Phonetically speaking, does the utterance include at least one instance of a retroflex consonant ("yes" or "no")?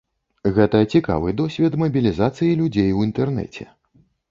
no